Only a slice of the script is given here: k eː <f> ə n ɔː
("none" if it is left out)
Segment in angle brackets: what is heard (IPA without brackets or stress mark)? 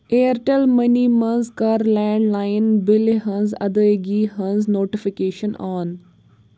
ʃ